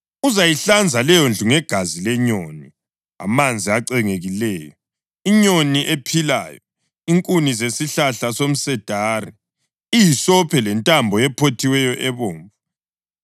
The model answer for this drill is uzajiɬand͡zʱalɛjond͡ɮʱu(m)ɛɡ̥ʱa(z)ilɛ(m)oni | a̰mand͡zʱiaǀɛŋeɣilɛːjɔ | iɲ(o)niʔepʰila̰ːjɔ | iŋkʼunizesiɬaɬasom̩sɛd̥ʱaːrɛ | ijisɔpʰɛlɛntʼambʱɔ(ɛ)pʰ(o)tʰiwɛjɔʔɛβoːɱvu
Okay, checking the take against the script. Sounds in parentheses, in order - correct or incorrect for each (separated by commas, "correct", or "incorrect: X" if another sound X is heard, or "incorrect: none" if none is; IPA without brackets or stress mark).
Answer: incorrect: ŋ, correct, incorrect: ɲ, correct, correct, correct